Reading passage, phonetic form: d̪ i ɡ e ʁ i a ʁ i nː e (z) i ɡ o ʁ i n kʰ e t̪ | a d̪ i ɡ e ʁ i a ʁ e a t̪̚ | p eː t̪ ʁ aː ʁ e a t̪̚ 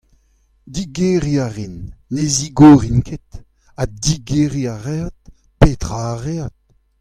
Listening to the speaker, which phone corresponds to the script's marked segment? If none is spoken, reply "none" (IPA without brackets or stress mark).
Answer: z